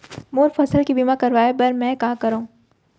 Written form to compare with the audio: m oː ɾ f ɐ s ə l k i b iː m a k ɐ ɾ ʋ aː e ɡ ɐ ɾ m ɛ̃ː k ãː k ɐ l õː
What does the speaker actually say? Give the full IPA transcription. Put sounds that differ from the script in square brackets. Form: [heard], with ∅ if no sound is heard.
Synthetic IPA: m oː ɾ f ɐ s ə l k i b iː m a k ɐ ɾ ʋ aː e [b] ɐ ɾ m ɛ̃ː k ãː k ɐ [ɾ] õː